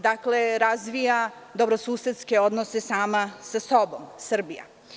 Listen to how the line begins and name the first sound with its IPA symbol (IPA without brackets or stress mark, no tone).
d̪